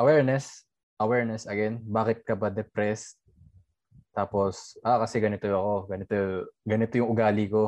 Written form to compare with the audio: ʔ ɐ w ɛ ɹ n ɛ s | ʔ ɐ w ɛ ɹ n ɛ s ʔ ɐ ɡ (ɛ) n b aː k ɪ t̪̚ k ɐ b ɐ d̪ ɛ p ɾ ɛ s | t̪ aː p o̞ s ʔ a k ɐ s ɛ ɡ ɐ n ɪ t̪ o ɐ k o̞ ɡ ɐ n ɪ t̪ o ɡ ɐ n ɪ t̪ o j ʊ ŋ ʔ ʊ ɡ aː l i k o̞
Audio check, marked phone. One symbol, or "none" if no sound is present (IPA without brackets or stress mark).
ɛ